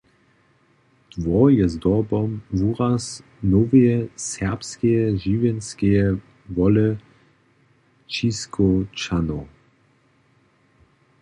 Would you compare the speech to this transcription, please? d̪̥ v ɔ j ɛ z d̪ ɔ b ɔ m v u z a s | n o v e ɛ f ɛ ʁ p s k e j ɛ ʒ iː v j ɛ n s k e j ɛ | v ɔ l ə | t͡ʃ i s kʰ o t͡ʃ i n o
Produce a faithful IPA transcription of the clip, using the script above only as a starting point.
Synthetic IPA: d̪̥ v ɔ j ɛ z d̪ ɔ b ɔ m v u ʁ a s | n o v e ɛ s ɛ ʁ p s k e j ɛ ʒ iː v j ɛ n s k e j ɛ | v ɔ l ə | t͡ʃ i s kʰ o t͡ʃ a n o